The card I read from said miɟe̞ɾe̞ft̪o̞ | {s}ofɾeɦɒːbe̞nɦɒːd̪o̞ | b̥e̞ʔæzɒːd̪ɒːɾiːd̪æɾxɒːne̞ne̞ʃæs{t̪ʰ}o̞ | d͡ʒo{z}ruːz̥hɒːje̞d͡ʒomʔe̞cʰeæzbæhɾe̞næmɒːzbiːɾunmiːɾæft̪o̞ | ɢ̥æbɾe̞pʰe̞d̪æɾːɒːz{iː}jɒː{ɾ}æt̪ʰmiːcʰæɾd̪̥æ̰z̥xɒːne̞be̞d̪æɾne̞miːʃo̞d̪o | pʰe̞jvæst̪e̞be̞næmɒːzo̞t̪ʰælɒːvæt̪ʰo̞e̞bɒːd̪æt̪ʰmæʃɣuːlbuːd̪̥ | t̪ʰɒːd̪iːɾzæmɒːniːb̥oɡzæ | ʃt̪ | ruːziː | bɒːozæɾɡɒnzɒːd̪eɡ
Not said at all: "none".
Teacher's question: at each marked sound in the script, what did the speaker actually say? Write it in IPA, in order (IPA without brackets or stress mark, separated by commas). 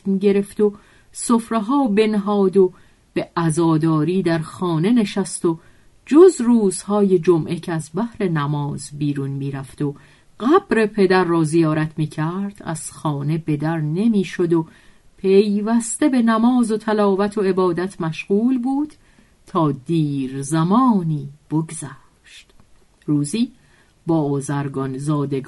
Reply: s, t̪, z, i, ɾ